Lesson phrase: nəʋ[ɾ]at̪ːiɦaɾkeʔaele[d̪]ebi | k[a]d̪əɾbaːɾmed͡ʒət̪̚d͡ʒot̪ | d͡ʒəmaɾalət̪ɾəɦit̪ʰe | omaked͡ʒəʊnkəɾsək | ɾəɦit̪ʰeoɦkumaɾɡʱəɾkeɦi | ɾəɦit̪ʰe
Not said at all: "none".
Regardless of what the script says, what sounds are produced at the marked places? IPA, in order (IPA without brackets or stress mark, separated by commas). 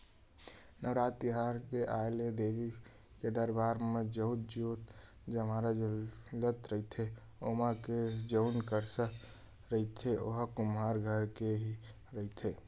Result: ɾ, d̪, e